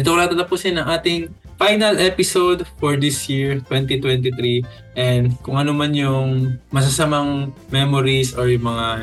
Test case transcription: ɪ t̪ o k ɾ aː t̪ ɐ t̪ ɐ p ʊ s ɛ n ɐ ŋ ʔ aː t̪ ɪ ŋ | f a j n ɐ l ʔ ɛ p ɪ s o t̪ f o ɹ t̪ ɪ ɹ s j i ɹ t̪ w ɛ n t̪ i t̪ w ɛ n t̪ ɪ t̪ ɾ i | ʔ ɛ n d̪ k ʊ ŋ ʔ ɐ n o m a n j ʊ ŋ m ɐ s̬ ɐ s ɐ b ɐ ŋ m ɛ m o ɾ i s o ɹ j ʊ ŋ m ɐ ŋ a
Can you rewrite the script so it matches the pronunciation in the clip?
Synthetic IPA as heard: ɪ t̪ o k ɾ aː t̪ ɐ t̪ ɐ p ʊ s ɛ n ɐ ŋ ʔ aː t̪ ɪ ŋ | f a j n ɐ l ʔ ɛ p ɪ s o d̪ f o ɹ d̪ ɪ s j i ɹ t̪ w ɛ n t̪ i t̪ w ɛ n t̪ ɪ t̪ ɾ i | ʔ ɛ n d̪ k ʊ ŋ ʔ ɐ n o m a n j ʊ ŋ m ɐ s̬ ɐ s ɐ m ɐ ŋ m ɛ m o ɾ i s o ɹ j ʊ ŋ m ɐ ŋ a